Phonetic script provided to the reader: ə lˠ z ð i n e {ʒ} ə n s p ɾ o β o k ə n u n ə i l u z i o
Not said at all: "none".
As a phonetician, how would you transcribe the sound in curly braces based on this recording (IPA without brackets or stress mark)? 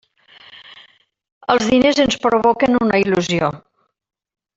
z